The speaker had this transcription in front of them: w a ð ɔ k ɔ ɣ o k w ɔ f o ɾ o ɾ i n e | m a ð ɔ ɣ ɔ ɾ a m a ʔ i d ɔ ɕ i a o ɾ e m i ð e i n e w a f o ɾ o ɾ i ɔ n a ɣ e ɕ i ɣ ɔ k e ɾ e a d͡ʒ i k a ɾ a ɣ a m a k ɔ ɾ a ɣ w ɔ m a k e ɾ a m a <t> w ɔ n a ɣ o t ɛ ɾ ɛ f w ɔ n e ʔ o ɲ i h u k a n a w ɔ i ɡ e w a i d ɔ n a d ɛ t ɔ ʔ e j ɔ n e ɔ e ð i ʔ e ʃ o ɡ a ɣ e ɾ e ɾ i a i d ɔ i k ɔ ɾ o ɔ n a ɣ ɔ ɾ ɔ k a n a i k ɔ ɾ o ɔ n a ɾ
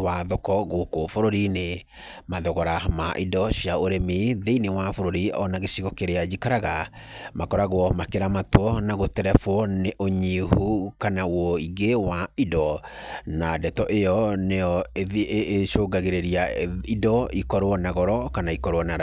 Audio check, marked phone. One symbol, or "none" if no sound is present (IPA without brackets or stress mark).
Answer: t